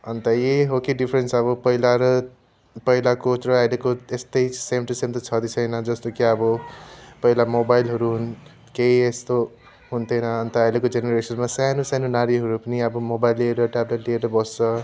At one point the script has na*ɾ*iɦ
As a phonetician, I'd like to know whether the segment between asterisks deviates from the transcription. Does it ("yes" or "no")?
no